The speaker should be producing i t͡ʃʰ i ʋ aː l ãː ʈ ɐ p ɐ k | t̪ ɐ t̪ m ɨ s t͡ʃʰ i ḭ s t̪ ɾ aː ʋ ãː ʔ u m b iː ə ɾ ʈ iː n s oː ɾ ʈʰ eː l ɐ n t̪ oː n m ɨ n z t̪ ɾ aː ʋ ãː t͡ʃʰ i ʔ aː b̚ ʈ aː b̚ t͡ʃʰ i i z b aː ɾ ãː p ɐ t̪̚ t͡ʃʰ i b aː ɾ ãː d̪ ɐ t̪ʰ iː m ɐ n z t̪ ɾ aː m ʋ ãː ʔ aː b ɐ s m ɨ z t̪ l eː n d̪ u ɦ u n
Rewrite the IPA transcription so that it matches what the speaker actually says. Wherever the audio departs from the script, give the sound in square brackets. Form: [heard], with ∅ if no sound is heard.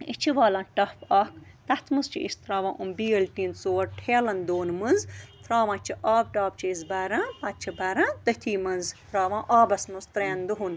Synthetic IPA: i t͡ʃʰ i ʋ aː l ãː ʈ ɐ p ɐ k | t̪ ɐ t̪ m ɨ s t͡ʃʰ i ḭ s t̪ ɾ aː ʋ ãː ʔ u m b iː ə [l] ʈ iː n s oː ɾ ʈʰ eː l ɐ n [d̪] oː n m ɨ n z t̪ ɾ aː ʋ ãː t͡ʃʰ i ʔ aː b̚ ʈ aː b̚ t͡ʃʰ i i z b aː ɾ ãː p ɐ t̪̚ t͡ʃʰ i b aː ɾ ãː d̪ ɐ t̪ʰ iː m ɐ n z t̪ ɾ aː [∅] ʋ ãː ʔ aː b ɐ s m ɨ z t̪ [ɾ] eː n d̪ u ɦ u n